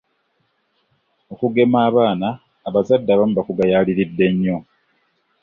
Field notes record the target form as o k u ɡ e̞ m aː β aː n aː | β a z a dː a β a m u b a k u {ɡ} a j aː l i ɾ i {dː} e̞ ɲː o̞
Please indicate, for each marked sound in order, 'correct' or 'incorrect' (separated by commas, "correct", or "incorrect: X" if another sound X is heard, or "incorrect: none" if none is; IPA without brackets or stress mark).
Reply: correct, correct